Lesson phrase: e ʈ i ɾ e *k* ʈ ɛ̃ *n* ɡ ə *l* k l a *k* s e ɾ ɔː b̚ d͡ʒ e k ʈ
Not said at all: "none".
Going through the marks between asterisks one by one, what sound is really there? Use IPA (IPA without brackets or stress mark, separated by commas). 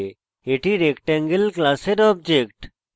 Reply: k, ŋ, l, none